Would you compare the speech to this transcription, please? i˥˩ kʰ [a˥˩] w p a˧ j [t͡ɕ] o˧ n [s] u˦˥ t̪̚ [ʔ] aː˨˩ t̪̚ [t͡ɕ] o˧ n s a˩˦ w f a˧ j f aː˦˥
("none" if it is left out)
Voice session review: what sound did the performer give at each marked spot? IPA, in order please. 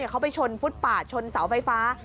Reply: a˦˥, t͡ɕʰ, f, p, t͡ɕʰ

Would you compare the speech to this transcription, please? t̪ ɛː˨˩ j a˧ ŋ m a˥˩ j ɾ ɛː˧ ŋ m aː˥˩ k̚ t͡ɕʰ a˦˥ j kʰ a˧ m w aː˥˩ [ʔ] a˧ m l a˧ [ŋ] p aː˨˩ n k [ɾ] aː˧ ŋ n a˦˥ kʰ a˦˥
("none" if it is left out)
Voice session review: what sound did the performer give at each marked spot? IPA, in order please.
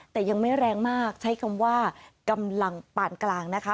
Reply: k, ŋ, l

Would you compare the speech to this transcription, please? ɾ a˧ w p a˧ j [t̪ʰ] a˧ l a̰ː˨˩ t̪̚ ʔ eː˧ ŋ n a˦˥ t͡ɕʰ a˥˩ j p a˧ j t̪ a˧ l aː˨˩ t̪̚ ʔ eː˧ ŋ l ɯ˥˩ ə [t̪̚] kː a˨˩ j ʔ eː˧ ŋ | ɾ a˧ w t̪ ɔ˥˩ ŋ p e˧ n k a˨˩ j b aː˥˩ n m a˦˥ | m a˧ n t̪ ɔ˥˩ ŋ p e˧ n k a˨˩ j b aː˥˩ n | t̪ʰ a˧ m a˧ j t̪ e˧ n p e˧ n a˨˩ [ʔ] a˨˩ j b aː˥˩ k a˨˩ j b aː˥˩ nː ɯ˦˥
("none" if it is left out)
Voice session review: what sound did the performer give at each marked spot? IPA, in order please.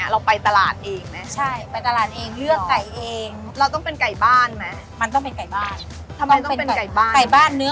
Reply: t̪, none, k

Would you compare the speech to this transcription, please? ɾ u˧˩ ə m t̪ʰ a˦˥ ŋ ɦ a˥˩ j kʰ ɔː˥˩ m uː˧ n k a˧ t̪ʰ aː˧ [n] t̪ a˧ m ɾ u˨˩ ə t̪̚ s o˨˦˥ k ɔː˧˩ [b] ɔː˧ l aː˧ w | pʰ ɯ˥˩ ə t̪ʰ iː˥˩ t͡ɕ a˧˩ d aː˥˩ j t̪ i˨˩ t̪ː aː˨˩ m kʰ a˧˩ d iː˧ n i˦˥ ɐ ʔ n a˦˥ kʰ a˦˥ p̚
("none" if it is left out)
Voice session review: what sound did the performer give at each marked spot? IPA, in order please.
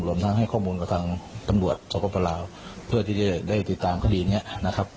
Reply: ŋ, p

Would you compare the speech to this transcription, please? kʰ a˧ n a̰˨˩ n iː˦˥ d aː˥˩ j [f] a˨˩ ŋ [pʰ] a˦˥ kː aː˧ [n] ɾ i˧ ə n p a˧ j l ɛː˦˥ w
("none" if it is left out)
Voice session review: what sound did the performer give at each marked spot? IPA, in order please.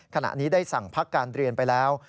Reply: s, pʰ, n

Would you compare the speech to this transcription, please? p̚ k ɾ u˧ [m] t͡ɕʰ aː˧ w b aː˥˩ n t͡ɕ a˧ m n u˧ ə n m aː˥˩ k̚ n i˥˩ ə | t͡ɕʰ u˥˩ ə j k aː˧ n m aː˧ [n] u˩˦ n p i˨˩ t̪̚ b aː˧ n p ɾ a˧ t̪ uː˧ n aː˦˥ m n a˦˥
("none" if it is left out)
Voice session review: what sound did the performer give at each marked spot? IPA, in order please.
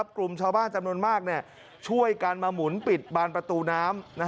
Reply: m, m

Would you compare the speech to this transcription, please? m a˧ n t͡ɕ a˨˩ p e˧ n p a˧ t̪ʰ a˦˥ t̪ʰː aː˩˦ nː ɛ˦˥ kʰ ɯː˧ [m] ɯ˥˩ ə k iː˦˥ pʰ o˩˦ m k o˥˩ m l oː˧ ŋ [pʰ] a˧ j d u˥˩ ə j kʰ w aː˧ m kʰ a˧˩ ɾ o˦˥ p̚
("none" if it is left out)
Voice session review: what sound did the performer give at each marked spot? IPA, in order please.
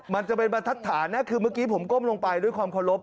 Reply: m, p

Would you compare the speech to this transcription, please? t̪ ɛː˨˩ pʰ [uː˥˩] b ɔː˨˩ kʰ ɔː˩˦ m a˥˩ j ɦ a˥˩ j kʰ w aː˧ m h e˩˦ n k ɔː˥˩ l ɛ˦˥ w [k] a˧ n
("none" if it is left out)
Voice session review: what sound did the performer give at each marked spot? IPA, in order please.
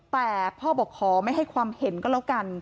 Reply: ɔː˥˩, k

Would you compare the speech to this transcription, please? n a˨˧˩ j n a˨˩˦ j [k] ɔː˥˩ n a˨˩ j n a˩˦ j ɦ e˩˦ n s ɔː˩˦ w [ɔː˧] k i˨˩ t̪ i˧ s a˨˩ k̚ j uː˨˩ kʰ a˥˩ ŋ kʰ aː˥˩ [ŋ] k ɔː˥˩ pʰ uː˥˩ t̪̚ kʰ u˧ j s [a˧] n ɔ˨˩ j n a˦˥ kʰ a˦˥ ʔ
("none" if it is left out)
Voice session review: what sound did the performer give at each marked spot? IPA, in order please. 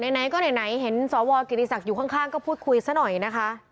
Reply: k, ɔː˧, ŋ, a˦˥

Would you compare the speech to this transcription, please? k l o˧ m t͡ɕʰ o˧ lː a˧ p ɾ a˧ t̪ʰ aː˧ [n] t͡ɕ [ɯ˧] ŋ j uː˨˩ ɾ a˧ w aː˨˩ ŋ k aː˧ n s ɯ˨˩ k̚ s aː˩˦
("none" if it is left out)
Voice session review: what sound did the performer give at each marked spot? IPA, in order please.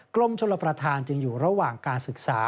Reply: n, ɯ˧

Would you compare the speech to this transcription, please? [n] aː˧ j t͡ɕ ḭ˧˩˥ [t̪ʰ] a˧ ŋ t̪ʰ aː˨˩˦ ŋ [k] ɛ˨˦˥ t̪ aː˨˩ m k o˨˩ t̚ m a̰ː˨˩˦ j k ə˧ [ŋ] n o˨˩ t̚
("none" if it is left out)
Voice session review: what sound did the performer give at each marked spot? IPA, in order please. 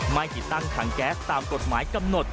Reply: m, t̪, k, m

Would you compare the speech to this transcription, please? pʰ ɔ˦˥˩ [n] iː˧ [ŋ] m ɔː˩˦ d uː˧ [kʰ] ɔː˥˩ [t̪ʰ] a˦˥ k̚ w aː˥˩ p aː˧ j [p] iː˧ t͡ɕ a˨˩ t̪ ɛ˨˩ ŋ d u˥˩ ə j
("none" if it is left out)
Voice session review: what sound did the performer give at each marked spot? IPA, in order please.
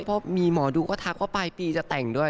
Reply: m, none, k, t̪ʰ, p

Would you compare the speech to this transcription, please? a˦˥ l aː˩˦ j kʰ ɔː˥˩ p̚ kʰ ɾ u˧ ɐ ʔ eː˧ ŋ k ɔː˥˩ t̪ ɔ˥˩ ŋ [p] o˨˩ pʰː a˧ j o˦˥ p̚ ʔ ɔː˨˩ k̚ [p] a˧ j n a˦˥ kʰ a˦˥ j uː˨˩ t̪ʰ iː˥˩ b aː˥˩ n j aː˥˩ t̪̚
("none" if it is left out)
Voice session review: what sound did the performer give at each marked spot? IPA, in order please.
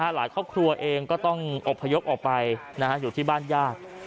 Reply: ʔ, p

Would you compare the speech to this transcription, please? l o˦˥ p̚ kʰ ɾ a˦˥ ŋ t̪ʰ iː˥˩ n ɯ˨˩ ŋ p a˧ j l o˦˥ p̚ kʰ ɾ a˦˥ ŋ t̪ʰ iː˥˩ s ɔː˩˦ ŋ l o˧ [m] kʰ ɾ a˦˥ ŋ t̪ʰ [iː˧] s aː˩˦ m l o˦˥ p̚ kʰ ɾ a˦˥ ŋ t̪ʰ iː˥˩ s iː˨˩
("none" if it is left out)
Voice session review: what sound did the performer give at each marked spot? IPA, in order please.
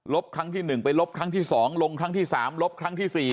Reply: ŋ, iː˥˩

